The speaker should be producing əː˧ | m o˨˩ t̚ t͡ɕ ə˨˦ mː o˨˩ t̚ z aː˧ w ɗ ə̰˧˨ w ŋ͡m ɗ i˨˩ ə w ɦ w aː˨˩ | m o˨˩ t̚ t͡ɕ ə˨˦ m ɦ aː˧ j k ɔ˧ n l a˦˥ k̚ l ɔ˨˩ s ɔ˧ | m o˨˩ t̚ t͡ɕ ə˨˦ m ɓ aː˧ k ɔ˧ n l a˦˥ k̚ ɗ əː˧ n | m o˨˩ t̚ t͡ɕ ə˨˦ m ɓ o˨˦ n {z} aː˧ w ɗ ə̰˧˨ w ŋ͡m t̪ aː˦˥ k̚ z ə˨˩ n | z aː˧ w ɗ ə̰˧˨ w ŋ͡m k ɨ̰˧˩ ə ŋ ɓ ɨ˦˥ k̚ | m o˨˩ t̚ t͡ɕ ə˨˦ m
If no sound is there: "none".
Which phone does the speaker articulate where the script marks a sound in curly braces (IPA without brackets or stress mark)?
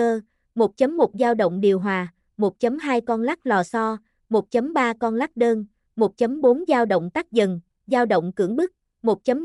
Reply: z